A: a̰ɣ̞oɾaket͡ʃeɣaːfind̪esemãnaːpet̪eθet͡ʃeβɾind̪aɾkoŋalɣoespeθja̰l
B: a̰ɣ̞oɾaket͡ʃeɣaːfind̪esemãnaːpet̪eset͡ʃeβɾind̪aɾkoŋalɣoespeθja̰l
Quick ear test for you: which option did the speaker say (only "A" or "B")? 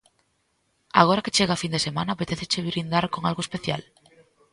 A